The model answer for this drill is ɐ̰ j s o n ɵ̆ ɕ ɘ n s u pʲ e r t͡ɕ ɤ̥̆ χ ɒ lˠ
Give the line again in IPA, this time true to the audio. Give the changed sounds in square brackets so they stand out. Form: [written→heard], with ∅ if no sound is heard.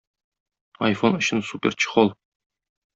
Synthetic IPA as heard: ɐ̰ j [s→f] o n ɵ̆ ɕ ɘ n s u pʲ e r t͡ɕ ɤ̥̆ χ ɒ lˠ